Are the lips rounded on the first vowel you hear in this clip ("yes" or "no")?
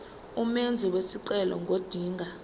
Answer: yes